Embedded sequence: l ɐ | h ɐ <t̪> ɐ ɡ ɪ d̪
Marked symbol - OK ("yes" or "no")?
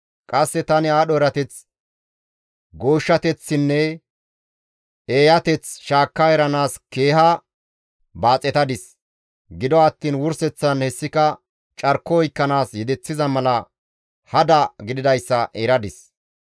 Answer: no